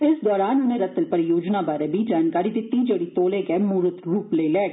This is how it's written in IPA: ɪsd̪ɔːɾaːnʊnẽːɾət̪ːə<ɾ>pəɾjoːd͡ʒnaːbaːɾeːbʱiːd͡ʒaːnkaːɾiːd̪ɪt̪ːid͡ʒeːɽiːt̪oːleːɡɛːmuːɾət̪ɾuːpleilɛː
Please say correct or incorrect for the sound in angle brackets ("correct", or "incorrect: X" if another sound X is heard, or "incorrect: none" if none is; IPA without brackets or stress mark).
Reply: incorrect: l